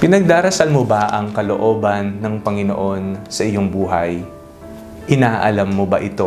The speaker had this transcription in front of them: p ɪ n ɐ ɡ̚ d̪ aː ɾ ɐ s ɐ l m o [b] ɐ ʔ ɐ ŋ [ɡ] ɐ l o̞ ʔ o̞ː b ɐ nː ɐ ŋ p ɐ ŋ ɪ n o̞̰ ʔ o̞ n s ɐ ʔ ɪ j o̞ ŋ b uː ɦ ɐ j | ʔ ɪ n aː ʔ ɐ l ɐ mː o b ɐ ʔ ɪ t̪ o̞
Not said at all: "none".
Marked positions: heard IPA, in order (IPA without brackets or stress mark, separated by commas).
b, k